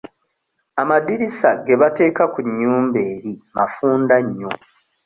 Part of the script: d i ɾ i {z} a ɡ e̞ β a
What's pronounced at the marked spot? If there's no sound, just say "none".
s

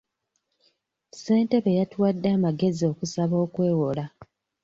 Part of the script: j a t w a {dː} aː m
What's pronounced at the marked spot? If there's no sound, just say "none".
dː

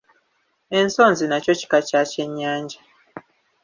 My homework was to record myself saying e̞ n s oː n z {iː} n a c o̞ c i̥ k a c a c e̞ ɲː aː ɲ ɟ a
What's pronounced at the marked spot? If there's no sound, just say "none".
i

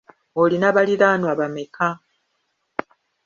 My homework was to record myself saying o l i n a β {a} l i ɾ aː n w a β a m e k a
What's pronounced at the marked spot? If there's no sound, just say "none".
a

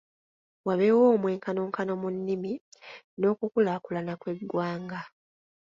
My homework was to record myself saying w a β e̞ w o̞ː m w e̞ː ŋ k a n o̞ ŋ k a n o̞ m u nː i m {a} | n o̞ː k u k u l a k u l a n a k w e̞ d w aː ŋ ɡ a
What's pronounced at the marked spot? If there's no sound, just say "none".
i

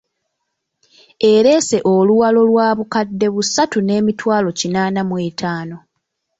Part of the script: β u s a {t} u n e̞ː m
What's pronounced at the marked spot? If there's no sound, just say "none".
t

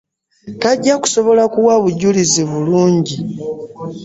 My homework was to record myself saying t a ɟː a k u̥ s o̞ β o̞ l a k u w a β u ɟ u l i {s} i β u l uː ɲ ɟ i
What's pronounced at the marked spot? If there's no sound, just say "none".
z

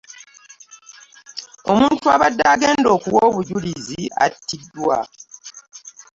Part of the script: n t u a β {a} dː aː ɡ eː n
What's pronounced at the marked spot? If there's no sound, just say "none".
a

